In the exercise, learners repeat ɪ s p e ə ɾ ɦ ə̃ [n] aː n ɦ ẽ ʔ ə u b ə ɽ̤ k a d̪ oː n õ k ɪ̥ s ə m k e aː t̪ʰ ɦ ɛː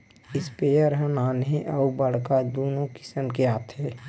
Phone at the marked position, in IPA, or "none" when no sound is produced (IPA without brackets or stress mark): n